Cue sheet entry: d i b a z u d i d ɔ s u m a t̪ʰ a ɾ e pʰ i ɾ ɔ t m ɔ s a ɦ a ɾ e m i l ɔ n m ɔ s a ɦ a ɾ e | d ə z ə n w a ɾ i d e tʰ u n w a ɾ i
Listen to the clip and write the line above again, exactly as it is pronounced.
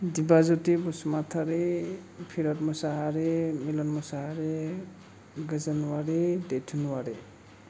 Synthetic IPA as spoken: d i b a z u t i b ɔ s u m a t̪ʰ a ɾ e pʰ i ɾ ɔ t m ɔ s a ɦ a ɾ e m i l ɔ n m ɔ s a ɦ a ɾ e | ɡ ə z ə n w a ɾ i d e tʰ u n w a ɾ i